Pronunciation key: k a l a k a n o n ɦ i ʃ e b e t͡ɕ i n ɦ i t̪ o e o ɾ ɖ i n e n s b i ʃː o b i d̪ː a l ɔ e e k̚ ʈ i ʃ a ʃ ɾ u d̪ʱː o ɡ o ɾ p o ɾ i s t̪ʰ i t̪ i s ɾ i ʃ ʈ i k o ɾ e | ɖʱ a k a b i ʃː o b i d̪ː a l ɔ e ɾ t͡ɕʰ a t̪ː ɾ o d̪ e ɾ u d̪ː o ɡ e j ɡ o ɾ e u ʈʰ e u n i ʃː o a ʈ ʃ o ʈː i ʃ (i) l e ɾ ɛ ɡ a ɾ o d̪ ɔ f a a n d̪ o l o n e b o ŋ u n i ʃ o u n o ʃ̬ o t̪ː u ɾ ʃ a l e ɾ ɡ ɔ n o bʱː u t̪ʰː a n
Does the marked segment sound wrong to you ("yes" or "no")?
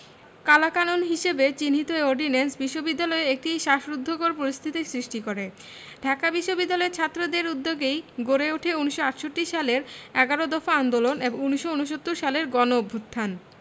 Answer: yes